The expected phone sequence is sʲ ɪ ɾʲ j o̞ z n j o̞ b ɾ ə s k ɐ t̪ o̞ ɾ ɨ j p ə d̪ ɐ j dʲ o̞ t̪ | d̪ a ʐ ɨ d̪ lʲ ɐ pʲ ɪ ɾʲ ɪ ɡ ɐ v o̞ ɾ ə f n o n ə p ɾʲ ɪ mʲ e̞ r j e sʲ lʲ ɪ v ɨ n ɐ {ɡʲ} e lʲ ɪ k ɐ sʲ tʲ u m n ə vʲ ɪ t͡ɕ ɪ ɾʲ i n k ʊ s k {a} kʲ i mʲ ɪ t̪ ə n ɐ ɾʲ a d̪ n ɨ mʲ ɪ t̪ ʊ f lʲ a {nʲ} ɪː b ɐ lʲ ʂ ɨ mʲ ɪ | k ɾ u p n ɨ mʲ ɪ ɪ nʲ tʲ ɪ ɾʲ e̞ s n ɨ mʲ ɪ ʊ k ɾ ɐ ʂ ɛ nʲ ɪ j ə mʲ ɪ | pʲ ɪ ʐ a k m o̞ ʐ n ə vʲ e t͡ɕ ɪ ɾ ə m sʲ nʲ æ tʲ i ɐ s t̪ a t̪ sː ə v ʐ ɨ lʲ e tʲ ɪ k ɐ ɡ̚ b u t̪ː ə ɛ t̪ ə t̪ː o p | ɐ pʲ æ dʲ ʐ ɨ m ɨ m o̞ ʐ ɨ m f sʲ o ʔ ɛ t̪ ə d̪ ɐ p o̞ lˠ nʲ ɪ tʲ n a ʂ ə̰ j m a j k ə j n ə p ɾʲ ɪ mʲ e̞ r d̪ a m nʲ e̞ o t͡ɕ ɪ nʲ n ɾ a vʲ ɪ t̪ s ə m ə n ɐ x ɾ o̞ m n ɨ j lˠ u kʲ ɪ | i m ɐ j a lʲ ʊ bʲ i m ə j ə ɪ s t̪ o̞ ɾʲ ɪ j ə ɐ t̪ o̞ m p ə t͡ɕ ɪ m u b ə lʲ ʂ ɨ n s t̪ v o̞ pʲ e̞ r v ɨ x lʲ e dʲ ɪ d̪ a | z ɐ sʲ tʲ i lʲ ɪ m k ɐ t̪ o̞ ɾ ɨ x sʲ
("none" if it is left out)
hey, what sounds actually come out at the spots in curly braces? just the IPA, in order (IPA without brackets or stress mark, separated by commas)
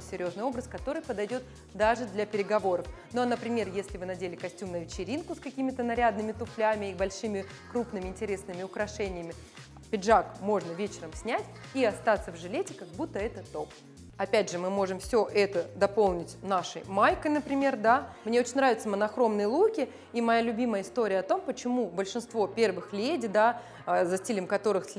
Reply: dʲ, ɐ, mʲ